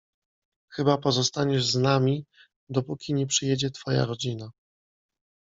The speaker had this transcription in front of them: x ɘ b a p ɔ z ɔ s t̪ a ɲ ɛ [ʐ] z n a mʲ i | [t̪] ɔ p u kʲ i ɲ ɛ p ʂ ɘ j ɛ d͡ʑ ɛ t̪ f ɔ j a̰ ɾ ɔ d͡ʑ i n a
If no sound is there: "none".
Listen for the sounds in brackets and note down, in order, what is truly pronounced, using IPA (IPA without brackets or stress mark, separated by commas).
ʐ, d̪